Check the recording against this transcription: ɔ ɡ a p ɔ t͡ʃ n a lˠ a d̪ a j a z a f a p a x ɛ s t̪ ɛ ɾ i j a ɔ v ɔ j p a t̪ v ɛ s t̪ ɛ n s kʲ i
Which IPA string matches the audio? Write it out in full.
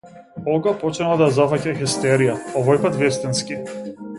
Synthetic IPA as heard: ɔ ɡ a p ɔ t͡ʃ n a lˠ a d̪ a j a z a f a c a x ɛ s t̪ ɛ ɾ i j a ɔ v ɔ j p a t̪ v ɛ s t̪ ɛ n s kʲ i

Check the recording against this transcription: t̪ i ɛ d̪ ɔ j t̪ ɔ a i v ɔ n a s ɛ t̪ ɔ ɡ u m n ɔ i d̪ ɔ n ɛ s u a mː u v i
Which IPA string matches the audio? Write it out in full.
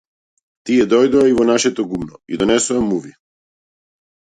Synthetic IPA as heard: t̪ i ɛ d̪ ɔ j d̪ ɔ a i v ɔ n a ʃ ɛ t̪ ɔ ɡ u m n ɔ i d̪ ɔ n ɛ s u a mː u v i

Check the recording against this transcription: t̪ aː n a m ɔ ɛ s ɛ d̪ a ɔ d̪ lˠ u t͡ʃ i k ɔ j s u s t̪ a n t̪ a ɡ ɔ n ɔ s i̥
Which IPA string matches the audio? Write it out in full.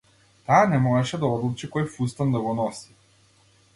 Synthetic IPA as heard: t̪ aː n ɛ m ɔ ɛ ʃ ɛ d̪ a ɔ d̪ lˠ u t͡ʃ i k ɔ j f u s t̪ a n d̪ a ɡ ɔ n ɔ s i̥

